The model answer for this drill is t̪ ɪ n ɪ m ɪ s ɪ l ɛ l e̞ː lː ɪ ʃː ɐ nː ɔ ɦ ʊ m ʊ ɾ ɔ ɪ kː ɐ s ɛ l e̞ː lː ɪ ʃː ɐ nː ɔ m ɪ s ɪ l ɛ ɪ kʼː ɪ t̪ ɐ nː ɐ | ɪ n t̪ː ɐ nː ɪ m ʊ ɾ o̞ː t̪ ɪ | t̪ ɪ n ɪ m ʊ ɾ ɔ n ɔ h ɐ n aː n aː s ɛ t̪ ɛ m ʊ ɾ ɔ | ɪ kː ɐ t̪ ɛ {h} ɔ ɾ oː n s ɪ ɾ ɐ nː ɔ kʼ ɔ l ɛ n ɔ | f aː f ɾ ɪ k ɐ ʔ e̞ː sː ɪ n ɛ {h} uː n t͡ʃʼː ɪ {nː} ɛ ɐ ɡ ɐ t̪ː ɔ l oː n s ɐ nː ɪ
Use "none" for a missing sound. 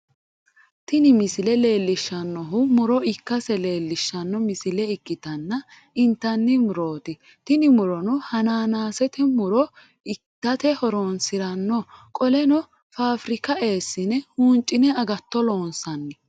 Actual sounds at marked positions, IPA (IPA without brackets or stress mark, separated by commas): h, h, n